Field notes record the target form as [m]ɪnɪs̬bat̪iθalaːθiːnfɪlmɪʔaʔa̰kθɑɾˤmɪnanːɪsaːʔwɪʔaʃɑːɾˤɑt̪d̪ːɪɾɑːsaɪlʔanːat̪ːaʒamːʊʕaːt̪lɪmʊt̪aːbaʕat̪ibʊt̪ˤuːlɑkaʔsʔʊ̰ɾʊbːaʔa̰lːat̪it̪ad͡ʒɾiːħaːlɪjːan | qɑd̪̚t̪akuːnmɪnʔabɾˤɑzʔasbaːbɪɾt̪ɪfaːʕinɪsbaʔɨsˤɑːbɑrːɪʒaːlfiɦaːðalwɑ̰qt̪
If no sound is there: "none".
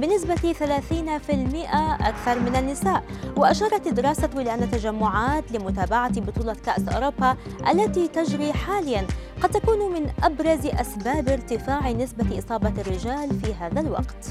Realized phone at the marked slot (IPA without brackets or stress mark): b